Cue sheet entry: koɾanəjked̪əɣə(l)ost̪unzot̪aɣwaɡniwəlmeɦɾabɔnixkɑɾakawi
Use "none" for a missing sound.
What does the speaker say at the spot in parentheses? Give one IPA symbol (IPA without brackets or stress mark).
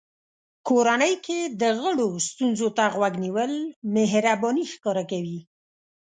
ɽ